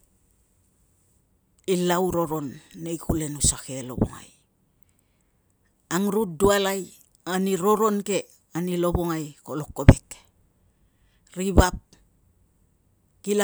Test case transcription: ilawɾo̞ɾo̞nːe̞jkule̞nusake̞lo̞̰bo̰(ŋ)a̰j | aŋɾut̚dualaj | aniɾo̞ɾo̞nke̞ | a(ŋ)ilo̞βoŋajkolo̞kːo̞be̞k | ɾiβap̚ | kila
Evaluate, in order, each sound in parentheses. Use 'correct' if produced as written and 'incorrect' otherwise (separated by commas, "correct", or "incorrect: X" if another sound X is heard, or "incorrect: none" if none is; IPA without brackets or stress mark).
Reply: correct, incorrect: n